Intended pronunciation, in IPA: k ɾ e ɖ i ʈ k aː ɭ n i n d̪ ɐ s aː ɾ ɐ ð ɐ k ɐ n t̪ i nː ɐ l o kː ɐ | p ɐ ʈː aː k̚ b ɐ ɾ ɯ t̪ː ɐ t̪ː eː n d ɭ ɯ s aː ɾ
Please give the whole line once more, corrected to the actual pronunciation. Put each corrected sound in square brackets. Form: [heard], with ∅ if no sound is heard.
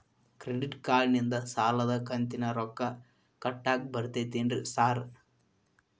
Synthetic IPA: k ɾ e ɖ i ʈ k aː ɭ n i n d̪ ɐ s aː [l] ɐ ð ɐ k ɐ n t̪ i [n] ɐ [ɾ] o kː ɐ | [k] ɐ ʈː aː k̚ b ɐ ɾ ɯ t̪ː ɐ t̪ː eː n d [r] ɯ s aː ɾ

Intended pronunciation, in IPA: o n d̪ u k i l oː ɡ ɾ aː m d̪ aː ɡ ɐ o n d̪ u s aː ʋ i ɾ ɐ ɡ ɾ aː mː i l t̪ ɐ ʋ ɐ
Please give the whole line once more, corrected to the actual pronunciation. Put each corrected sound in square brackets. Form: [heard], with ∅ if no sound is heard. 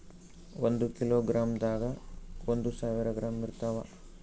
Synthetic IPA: o n d̪ u k i l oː ɡ ɾ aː m d̪ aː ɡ ɐ o n d̪ u s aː ʋ i ɾ ɐ ɡ ɾ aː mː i [ɾ] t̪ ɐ ʋ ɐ

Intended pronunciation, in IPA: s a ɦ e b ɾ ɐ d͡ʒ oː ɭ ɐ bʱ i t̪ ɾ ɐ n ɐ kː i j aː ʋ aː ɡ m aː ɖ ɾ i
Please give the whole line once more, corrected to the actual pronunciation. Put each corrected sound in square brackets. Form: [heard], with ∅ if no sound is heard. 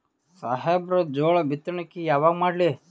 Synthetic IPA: s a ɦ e b ɾ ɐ d͡ʒ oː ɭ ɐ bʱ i t̪ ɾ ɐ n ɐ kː i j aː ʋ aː ɡ m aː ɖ [l] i

